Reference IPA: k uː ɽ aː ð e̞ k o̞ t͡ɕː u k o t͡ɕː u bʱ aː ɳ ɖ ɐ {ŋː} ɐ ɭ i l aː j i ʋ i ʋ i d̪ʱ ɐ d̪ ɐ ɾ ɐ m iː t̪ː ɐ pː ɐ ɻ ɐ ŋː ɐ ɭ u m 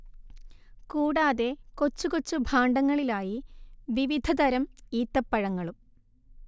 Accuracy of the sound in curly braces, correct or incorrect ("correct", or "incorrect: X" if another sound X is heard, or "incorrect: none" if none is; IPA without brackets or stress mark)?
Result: correct